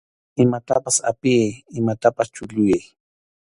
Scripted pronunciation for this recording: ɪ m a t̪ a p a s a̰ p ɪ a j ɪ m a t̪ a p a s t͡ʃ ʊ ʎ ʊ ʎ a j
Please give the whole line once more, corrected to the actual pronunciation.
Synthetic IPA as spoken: ɪ m a t̪ a p a s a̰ p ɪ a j ɪ m a t̪ a p a s t͡ʃ ʊ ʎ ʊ j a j